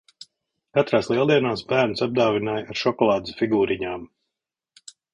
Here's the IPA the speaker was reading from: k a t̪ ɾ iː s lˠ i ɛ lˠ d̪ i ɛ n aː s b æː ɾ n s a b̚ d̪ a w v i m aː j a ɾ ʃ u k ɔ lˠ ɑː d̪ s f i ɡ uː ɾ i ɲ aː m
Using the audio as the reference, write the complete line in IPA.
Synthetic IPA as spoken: k a t̪ ɾ aː s lˠ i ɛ lˠ d̪ i ɛ n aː s b æː ɾ n s a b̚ d̪ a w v i n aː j a ɾ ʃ ɔ k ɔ lˠ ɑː d̪ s f i ɡ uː ɾ i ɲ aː m